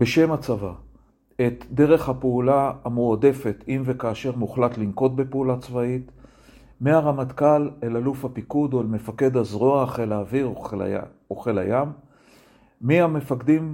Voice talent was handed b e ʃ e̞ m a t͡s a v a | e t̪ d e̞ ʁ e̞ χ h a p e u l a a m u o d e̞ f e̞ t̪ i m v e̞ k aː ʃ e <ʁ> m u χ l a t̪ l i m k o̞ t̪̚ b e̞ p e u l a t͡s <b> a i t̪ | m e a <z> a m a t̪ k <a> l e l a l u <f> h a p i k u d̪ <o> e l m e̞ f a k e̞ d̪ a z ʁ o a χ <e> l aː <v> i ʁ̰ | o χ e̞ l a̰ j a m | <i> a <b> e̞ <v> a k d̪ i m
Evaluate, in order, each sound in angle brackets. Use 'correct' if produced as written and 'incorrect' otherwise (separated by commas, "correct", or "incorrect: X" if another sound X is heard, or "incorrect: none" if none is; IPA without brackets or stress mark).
correct, incorrect: v, incorrect: ʁ, correct, correct, correct, correct, correct, correct, incorrect: m, incorrect: f